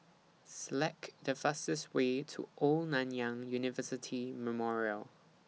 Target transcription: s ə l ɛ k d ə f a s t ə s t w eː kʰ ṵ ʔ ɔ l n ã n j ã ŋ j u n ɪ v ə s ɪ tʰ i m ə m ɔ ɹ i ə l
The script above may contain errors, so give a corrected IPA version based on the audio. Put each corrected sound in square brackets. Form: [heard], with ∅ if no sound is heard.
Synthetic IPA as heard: s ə l ɛ k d ə f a s t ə s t w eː [tʰ] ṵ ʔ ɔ l n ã n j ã ŋ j u n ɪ v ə s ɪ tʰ i m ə m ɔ ɹ i ə l